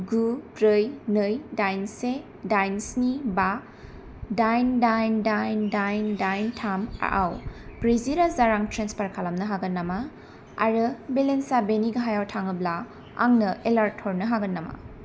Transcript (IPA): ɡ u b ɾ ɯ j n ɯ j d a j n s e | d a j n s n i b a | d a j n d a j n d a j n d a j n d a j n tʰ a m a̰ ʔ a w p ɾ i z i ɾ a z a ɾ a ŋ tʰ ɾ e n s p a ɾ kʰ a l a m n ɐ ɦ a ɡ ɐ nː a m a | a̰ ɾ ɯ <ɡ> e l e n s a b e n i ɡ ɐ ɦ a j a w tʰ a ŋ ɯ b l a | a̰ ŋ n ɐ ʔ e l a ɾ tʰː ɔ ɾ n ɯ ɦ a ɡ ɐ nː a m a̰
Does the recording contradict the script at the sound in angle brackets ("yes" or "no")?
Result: yes